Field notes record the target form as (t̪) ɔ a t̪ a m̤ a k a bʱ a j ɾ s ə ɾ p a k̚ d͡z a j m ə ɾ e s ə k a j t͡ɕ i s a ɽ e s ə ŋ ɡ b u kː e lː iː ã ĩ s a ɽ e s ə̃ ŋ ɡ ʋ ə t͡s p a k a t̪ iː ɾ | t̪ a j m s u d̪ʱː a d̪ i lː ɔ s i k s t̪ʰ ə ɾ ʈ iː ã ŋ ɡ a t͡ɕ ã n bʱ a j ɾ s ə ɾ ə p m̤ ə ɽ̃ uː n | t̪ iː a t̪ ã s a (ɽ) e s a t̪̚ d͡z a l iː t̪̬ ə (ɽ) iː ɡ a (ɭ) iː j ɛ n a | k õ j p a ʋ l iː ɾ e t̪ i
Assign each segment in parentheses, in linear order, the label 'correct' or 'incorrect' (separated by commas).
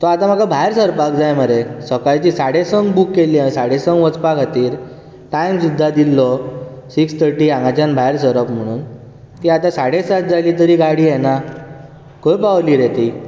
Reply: correct, correct, incorrect, incorrect